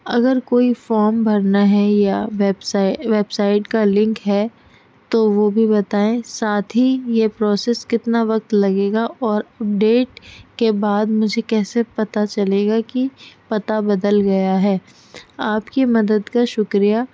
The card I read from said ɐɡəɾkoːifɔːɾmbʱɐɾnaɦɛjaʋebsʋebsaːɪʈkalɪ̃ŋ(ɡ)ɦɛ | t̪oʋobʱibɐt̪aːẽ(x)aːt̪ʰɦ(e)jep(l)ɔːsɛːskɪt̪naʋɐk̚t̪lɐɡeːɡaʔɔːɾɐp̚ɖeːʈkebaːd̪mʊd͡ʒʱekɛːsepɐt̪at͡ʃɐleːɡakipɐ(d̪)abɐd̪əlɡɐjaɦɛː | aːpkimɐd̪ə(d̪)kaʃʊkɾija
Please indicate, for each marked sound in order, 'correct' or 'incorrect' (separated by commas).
incorrect, incorrect, incorrect, incorrect, incorrect, correct